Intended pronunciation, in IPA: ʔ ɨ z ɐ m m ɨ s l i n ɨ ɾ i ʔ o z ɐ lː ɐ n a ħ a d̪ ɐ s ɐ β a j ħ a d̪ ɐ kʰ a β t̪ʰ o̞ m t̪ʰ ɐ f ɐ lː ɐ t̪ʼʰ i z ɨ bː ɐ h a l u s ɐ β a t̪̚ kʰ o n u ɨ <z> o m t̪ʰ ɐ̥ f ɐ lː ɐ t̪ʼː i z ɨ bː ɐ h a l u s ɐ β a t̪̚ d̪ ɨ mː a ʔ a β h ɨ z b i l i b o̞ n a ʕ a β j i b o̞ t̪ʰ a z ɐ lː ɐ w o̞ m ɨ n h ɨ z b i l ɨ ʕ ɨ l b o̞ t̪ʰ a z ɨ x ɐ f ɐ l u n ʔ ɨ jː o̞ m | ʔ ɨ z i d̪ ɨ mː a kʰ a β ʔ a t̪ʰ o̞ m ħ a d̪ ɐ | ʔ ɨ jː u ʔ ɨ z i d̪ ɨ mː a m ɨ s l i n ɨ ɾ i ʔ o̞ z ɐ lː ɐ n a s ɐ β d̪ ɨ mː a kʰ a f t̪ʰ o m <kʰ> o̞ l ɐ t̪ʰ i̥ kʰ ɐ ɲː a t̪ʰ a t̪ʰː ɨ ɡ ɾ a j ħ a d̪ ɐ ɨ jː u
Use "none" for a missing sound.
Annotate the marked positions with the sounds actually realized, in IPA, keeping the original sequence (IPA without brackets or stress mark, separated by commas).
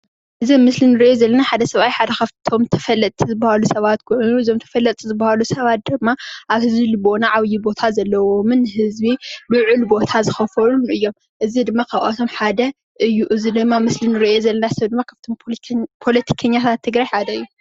z, pʰ